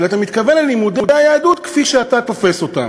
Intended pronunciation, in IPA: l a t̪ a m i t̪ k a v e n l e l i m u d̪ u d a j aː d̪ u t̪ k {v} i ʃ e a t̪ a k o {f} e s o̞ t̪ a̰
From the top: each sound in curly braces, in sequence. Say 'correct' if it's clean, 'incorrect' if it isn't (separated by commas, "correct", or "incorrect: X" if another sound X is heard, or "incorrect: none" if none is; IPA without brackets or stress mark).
incorrect: f, correct